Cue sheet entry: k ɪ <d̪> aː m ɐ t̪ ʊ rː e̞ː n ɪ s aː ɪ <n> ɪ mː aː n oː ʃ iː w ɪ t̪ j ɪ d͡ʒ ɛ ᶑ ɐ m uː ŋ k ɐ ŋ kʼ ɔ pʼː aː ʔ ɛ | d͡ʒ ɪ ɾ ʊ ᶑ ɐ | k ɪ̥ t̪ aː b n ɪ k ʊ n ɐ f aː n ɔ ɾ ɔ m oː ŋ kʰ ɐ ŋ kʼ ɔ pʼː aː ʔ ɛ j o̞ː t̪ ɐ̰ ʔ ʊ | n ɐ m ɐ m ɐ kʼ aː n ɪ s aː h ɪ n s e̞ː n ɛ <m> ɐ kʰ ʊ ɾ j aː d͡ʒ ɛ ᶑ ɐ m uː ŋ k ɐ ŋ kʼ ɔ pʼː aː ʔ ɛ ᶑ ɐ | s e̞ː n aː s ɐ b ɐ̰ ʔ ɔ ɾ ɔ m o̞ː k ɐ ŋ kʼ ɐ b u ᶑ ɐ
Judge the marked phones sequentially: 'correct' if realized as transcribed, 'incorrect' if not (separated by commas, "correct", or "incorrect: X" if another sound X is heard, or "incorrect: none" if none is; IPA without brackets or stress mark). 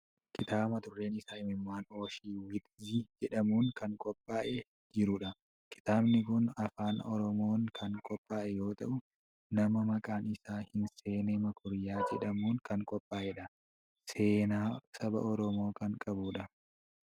incorrect: t̪, incorrect: m, correct